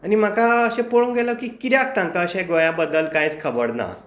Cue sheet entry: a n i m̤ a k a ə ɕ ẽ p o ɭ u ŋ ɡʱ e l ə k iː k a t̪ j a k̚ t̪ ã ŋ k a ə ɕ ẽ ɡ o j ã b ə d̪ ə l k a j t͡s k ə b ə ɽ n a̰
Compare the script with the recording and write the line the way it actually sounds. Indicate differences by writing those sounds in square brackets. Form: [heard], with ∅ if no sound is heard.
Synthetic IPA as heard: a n i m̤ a k a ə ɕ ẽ p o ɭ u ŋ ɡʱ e l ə k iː k [i] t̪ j a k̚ t̪ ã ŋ k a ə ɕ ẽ ɡ o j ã b ə d̪ ə l k a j t͡s [kʰ] ə b ə ɽ n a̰